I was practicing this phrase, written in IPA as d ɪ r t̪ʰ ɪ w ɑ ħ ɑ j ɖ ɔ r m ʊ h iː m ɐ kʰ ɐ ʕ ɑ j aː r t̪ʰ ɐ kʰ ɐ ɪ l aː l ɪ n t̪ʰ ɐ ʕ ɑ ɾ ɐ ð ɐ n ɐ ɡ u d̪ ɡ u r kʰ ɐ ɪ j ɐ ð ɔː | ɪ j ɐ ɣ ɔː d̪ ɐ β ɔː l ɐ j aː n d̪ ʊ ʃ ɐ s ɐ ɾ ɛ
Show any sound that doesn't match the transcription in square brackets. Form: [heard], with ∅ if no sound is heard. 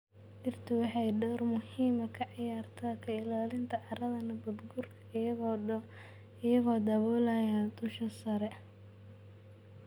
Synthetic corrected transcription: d ɪ r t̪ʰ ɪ w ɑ ħ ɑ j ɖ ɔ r m ʊ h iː m ɐ kʰ ɐ ʕ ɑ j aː r t̪ʰ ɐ kʰ ɐ ɪ l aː l ɪ n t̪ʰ ɐ ʕ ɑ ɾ ɐ ð ɐ n ɐ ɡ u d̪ ɡ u r kʰ ɐ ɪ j ɐ [ɣ] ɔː | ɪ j ɐ ɣ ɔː d̪ ɐ β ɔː l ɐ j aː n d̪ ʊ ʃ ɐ s ɐ ɾ ɛ